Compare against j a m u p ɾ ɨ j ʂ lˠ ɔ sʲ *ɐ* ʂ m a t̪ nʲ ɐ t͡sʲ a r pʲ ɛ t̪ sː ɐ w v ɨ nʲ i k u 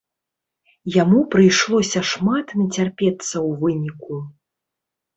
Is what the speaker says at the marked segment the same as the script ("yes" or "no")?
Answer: yes